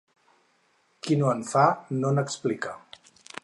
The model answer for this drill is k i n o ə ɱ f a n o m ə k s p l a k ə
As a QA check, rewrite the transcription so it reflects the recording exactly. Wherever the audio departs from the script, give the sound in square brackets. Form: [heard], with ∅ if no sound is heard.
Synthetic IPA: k i n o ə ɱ f a n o [n] ə k s p l [i] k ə